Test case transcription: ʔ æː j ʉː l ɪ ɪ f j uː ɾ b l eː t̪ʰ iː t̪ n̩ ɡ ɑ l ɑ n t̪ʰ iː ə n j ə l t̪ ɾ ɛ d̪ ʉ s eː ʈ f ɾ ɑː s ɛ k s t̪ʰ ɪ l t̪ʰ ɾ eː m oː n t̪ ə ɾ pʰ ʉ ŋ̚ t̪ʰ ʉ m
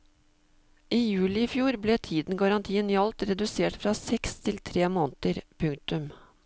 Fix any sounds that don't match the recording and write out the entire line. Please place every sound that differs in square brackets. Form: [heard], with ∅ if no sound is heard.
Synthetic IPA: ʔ [iː] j ʉː l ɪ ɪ f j uː ɾ b l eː t̪ʰ iː [d̪] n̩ ɡ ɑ [ɾ] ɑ n t̪ʰ iː ə n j [ɑ] l t̪ ɾ ɛ d̪ ʉ s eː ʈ f ɾ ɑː s ɛ k s t̪ʰ ɪ l t̪ʰ ɾ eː m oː n t̪ ə ɾ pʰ ʉ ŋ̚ [t̪] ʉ m

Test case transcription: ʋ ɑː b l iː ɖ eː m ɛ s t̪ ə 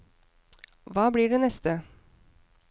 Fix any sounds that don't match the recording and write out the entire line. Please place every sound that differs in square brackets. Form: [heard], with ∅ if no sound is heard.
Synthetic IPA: ʋ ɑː b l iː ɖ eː [n] ɛ s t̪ ə

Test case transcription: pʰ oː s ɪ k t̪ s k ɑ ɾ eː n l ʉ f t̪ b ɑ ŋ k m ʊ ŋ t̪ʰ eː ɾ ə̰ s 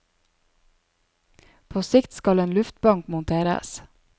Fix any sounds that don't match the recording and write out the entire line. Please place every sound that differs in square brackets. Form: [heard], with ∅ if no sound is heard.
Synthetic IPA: pʰ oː s ɪ k t̪ s k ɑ [l] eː n l ʉ f t̪ b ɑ ŋ k m ʊ [n] t̪ʰ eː ɾ ə̰ s

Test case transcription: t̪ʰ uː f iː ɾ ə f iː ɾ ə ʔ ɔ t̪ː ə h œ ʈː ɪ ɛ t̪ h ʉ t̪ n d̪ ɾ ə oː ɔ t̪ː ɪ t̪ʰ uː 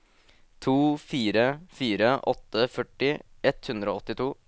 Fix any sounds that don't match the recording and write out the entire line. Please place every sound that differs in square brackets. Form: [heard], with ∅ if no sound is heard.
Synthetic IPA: t̪ʰ uː f iː ɾ ə f iː ɾ ə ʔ ɔ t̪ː ə [f] œ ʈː ɪ ɛ t̪ h ʉ [∅] n d̪ ɾ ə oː ɔ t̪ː ɪ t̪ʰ uː

